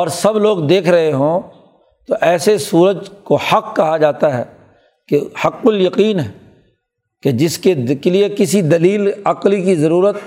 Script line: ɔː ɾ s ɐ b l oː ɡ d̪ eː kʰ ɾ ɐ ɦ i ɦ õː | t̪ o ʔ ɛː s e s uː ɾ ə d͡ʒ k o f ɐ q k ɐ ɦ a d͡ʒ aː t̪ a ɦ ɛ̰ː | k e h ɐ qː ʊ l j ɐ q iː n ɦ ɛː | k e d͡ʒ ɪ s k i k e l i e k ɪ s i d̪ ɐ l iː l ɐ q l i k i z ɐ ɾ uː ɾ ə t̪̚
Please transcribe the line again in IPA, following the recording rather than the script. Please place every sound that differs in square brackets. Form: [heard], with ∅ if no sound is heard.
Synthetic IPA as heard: ɔː ɾ s ɐ b l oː ɡ d̪ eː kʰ ɾ ɐ ɦ [e] ɦ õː | t̪ o ʔ ɛː s e s uː ɾ ə d͡ʒ k o [h] ɐ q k ɐ ɦ a d͡ʒ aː t̪ a ɦ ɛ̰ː | k e h ɐ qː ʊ l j ɐ q iː n ɦ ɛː | k e d͡ʒ ɪ s k [e] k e l i e k ɪ s i d̪ ɐ l iː l ɐ q l i k i z ɐ ɾ uː ɾ ə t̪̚